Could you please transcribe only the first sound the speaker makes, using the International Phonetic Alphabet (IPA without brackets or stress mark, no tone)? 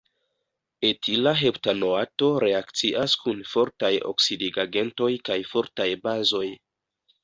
e